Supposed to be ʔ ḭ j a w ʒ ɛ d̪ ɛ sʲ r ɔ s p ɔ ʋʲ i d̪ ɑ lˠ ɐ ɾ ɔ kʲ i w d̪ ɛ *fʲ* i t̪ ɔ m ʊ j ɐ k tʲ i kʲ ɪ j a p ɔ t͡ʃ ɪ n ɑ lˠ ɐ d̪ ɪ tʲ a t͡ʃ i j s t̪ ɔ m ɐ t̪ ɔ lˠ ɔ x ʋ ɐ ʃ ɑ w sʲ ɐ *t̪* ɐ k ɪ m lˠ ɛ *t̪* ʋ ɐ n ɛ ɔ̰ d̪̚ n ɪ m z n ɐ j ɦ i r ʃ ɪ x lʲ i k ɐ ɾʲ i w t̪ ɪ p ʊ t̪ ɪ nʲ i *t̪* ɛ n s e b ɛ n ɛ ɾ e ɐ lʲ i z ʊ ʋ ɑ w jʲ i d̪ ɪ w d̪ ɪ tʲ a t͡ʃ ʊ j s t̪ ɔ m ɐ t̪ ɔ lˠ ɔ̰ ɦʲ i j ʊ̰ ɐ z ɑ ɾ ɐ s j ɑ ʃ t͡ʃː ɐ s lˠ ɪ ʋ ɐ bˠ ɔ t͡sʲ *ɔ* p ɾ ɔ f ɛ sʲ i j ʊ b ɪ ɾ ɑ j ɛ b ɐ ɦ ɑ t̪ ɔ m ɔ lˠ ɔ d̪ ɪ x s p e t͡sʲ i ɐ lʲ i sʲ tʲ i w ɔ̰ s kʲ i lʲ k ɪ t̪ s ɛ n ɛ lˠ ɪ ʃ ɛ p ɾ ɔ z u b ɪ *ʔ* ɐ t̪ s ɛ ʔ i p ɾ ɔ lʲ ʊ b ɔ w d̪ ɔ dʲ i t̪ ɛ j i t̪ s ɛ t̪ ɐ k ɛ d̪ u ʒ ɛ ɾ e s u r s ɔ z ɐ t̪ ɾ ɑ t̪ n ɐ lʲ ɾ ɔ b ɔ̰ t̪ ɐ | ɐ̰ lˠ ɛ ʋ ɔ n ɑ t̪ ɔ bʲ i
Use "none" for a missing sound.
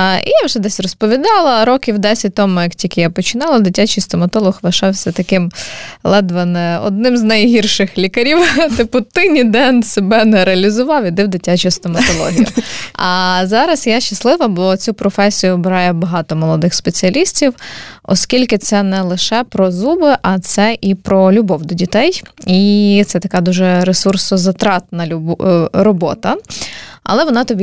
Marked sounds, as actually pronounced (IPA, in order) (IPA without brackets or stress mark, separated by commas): sʲ, t̪, d̪, d̪, u, ʔ